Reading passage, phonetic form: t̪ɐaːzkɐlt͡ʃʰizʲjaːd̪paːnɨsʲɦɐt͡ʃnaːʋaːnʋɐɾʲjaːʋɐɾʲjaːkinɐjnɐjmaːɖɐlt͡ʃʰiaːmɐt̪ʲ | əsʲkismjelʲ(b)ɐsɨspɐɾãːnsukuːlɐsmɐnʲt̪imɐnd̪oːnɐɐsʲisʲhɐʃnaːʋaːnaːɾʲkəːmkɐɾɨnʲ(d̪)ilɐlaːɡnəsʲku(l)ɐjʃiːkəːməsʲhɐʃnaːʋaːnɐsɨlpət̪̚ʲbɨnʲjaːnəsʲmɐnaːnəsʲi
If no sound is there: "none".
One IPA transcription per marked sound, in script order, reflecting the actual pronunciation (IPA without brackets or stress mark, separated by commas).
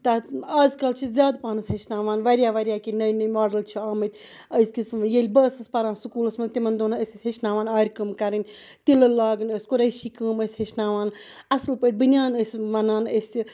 b, t̪, ɾ